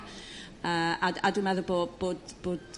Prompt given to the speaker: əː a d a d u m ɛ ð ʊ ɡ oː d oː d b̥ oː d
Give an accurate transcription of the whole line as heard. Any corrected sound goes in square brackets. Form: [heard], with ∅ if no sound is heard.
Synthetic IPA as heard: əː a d a d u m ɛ ð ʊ [b] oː [b] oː d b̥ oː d